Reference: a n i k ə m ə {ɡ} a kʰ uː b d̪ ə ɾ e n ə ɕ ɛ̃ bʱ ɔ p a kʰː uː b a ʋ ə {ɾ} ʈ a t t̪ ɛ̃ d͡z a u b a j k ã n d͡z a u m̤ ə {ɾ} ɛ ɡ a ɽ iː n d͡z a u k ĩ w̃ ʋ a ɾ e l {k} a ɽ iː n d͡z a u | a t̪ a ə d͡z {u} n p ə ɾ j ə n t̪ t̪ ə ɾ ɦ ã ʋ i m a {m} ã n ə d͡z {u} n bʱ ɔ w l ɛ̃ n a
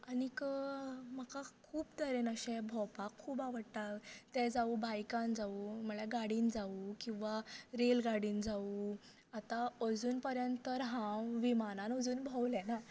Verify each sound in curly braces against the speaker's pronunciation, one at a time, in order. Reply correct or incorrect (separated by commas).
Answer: incorrect, incorrect, incorrect, incorrect, incorrect, incorrect, incorrect